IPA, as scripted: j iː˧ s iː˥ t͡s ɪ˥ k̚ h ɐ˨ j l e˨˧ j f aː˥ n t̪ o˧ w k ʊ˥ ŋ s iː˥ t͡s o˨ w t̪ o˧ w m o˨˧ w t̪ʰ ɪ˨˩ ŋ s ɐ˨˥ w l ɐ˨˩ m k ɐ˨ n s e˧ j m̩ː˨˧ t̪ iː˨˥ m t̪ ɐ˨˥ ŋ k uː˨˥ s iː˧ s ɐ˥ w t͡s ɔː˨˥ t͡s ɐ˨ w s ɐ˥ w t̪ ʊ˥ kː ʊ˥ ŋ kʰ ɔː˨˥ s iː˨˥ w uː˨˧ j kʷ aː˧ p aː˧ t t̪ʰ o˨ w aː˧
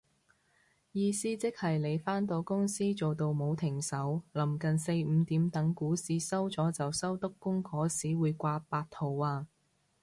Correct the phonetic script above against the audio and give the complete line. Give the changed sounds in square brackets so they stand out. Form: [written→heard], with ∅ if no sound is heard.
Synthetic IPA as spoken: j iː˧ s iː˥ t͡s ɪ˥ k̚ h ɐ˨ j l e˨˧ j f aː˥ n t̪ o˧ w k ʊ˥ ŋ s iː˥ t͡s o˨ w t̪ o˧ w m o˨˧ w t̪ʰ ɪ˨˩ ŋ s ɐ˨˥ w l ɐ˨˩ m k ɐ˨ n s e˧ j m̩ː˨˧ t̪ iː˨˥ m t̪ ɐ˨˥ ŋ k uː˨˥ s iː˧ s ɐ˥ w t͡s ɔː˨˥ t͡s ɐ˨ w s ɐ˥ w t̪ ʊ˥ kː ʊ˥ ŋ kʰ ɔː˨˥ s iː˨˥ w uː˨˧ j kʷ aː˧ p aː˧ t t̪ʰ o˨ w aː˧